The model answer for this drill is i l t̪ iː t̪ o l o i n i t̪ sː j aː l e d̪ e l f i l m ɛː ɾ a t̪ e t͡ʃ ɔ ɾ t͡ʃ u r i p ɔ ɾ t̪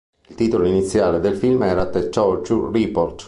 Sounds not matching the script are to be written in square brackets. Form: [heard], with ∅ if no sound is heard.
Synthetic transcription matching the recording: i l t̪ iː t̪ o l o i n i t̪ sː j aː l e d̪ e l f i l m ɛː ɾ a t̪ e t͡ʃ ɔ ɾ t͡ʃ u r i p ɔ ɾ t̪